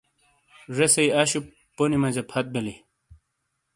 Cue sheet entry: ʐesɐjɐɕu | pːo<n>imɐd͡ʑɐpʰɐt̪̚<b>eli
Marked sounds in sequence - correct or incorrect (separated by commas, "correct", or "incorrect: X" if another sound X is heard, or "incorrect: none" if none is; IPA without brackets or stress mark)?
correct, correct